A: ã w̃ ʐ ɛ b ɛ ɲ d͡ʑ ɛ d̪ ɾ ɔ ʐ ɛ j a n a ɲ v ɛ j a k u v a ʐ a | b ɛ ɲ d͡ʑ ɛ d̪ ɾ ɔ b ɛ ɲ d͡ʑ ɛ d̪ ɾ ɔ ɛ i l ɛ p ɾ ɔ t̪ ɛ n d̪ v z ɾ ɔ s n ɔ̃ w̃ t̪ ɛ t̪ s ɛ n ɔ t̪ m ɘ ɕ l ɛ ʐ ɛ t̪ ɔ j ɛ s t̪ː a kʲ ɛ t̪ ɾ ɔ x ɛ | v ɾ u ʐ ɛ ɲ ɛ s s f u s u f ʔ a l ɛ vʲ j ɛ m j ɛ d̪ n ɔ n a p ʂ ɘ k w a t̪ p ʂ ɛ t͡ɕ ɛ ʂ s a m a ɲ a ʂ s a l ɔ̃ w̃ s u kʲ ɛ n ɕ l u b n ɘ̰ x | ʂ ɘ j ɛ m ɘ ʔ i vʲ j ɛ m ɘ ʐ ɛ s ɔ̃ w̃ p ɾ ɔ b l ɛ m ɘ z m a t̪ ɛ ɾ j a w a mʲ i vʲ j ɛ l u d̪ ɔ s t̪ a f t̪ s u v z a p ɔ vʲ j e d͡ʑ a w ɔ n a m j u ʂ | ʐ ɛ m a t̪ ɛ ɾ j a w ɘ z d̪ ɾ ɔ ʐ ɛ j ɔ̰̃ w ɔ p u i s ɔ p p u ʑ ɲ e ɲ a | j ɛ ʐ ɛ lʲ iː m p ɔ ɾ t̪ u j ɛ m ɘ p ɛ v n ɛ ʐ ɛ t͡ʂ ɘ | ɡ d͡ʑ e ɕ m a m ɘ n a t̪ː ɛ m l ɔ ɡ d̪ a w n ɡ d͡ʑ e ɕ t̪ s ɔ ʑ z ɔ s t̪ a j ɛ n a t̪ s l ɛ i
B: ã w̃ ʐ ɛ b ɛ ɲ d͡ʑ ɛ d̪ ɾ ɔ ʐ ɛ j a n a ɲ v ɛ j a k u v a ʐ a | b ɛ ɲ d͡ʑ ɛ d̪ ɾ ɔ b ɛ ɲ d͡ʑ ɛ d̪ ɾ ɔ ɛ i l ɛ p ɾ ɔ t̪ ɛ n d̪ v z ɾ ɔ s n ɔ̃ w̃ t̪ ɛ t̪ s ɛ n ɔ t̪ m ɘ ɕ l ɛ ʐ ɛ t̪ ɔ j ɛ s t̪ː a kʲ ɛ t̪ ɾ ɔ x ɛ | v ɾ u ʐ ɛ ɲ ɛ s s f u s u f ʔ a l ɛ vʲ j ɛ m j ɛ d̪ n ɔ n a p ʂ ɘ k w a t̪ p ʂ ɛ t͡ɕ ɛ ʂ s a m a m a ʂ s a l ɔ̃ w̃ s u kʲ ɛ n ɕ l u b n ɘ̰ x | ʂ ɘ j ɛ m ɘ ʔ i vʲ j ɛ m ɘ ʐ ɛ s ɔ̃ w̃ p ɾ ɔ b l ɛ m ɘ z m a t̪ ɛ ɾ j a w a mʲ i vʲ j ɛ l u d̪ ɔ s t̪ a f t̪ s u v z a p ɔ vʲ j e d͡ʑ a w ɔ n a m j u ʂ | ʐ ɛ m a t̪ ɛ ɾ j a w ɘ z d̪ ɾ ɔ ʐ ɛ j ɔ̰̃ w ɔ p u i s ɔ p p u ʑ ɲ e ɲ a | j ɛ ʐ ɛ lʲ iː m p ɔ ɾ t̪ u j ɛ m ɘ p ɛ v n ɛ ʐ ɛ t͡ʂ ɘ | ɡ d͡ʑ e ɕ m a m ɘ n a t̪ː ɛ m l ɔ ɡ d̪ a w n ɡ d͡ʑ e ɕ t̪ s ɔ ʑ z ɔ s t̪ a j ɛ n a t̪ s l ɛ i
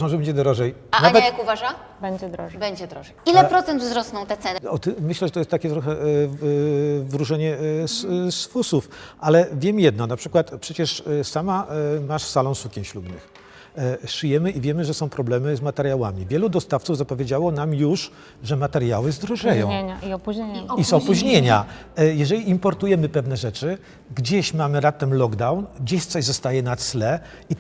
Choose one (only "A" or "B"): B